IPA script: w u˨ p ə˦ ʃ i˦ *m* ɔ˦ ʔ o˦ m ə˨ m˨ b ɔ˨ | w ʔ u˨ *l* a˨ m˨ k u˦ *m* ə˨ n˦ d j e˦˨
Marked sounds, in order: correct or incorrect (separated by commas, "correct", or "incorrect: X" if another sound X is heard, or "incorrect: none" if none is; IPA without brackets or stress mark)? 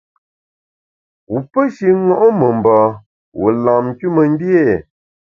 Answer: incorrect: ŋ, correct, correct